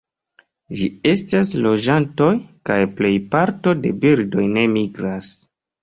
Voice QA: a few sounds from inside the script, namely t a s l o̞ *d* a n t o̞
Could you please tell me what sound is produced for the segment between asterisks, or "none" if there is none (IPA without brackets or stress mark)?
d͡ʒ